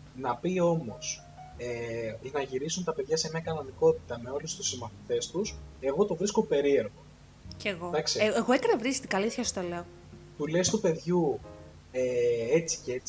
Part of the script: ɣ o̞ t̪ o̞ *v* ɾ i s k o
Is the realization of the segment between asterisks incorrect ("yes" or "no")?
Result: no